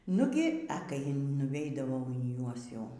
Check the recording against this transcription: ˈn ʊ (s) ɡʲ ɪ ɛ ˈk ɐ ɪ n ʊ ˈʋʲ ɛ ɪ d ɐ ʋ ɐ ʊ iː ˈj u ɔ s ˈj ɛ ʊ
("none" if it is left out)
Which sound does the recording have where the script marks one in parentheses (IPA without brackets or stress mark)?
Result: none